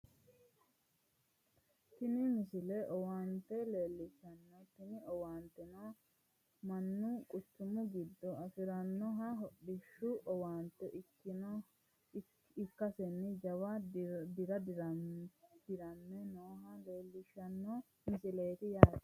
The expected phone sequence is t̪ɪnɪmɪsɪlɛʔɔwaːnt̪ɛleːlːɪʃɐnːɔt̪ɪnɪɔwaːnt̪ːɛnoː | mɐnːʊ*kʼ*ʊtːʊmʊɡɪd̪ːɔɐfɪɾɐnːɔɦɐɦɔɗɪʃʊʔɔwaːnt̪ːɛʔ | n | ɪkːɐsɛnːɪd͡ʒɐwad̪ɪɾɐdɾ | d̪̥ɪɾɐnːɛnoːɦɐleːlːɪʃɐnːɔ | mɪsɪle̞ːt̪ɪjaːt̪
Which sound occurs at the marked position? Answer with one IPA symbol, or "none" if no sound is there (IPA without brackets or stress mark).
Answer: kʼ